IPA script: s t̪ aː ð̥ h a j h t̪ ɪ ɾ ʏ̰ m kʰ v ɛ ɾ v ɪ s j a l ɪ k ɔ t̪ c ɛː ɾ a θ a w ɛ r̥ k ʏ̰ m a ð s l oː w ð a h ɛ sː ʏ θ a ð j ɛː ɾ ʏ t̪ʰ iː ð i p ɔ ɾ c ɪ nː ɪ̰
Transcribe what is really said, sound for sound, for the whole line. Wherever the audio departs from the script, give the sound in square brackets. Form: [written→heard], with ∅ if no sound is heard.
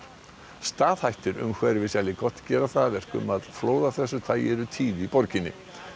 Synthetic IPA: s t̪ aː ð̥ h a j h t̪ ɪ ɾ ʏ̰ m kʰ v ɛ ɾ v ɪ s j a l ɪ k ɔ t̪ c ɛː ɾ a θ a [w→v] ɛ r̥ k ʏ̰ m a ð [s→f] l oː w ð a [h→θ] ɛ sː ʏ θ a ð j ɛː ɾ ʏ t̪ʰ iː ð i p ɔ ɾ c ɪ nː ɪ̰